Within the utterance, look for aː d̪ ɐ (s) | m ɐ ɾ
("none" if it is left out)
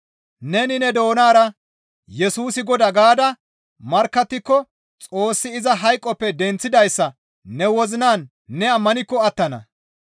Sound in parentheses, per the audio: none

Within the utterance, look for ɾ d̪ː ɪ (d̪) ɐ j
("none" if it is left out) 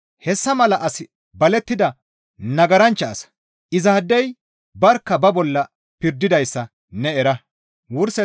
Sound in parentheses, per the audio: d̪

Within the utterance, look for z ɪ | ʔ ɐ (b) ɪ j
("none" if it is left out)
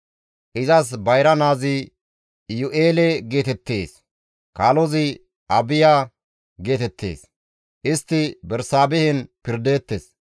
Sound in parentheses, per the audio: b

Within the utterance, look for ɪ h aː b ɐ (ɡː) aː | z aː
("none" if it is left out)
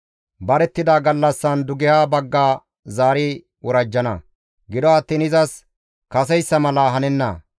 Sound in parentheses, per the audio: ɡː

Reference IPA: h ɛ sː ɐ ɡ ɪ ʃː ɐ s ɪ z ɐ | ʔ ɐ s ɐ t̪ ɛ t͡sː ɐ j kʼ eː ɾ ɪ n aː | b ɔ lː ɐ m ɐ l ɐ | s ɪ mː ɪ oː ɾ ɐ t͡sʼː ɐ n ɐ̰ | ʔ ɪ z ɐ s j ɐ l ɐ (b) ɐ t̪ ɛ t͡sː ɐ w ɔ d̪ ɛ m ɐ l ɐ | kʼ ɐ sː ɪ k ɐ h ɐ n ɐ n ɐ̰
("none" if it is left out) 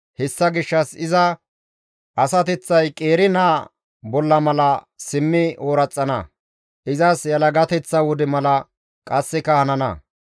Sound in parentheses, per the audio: ɡ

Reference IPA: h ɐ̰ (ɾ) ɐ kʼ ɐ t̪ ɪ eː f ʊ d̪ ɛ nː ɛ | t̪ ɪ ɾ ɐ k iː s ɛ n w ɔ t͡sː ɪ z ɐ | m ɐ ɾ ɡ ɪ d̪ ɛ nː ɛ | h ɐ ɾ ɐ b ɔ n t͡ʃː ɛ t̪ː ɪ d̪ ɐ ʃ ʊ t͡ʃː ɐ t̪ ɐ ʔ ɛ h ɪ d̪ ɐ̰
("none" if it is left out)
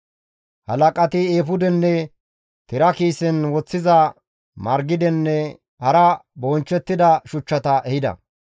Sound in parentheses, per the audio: l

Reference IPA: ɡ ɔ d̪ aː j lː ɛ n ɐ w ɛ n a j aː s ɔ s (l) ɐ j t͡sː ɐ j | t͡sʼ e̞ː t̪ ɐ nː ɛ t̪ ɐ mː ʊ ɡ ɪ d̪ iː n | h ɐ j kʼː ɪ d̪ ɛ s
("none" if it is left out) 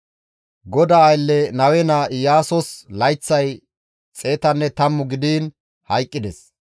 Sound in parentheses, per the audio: l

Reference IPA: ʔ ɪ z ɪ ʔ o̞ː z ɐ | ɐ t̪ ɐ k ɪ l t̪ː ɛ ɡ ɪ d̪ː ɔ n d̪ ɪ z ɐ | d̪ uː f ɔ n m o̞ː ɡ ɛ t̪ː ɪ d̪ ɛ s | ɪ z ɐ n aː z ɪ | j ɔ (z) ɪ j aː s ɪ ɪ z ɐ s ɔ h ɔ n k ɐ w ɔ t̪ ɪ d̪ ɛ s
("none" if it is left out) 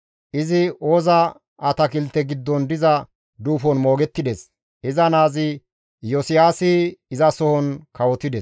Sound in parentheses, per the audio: s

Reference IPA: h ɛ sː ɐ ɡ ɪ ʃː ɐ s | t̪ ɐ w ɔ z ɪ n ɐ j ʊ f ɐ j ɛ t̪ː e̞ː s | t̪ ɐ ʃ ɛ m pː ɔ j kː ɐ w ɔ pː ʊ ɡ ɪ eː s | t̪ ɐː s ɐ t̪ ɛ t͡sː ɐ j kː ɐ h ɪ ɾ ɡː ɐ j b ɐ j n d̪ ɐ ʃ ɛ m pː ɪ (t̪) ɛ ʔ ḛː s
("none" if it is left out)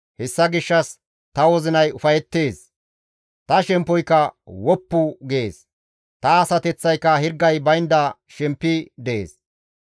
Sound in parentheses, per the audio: d̪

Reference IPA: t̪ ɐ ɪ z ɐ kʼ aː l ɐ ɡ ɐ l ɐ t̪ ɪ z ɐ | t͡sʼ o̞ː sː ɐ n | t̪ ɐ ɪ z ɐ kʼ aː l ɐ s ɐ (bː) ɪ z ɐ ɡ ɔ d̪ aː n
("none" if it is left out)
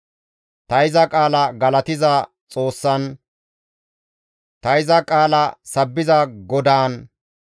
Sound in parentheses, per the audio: bː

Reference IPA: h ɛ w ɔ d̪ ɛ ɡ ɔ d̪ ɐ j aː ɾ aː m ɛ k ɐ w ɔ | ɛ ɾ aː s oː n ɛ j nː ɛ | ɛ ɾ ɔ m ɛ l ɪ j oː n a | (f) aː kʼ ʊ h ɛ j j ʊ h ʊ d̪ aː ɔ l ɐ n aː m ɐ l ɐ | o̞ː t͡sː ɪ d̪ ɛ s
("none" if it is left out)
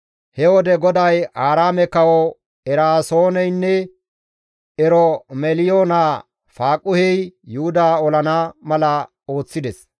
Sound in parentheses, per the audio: f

